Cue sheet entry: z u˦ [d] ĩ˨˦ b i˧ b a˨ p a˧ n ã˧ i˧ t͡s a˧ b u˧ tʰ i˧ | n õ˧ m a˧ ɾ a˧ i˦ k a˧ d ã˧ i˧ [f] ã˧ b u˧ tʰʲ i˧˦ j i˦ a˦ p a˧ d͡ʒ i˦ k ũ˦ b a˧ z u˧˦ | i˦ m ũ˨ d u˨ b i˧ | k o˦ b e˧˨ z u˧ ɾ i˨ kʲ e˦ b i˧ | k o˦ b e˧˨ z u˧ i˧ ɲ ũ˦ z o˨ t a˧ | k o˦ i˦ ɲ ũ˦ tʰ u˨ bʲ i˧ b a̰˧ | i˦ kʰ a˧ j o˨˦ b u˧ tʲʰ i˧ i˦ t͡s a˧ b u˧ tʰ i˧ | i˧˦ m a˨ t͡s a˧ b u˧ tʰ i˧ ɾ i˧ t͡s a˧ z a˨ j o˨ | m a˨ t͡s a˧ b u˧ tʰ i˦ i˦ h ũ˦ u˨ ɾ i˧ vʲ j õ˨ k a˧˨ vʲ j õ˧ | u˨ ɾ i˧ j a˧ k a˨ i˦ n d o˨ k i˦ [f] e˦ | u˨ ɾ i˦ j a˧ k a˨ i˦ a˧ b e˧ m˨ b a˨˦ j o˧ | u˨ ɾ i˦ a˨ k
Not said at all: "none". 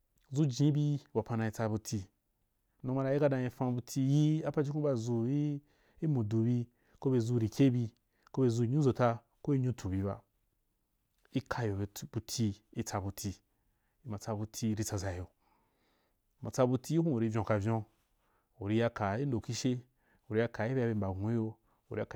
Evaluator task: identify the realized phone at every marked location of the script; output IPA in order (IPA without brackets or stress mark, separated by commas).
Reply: d͡ʒ, f, ʃ